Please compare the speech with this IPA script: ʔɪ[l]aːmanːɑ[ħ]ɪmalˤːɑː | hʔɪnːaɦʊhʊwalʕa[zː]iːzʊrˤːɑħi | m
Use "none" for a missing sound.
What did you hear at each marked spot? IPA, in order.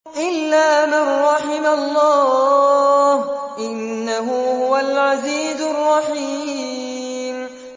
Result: lː, ħ, z

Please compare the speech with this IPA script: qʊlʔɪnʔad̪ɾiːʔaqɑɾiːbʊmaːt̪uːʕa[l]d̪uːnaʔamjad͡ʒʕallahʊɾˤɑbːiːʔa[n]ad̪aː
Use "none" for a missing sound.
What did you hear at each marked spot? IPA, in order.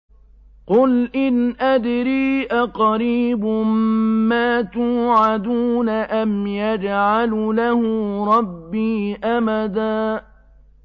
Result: none, m

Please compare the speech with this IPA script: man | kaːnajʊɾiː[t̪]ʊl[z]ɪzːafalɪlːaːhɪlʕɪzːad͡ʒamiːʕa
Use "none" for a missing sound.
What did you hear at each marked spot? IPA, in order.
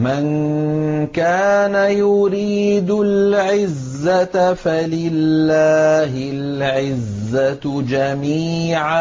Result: d̪, ʕ

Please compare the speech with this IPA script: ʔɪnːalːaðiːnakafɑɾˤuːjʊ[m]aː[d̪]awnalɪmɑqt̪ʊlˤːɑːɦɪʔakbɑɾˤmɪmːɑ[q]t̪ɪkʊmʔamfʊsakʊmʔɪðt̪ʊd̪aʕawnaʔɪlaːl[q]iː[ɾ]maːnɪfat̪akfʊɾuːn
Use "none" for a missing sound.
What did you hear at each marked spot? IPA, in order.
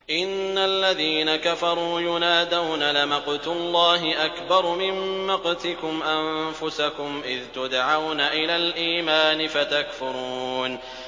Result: n, d̪, q, ʔ, none

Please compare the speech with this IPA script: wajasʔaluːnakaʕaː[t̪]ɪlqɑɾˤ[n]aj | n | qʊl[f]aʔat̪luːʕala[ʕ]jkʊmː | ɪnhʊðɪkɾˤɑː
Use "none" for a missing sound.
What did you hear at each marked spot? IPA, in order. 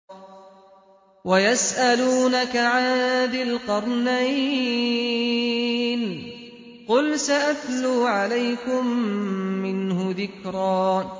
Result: d̪, n, s, none

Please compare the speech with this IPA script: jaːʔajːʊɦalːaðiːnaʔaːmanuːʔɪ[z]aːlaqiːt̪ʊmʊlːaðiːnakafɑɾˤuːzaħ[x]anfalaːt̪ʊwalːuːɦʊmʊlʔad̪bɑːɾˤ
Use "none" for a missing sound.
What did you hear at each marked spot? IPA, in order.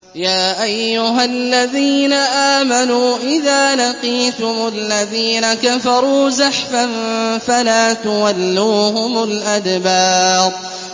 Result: ð, f

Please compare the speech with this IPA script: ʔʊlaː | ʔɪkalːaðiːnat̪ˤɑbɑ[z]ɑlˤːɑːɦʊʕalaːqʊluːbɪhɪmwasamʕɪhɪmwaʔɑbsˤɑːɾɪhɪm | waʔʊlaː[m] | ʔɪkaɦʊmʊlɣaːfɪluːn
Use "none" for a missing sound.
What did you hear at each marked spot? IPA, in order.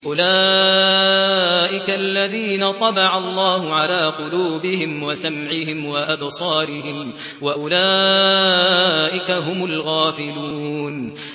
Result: ʕ, none

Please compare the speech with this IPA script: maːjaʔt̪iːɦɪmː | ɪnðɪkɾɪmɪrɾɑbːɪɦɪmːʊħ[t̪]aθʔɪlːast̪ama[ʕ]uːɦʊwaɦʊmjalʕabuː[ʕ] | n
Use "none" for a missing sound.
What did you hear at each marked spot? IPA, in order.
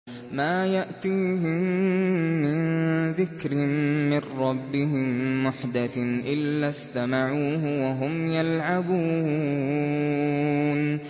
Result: d̪, ʕ, none

